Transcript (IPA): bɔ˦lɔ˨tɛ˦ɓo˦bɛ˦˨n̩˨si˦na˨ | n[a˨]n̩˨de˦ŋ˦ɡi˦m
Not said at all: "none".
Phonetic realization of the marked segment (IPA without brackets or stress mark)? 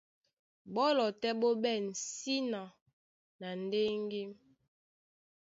a˨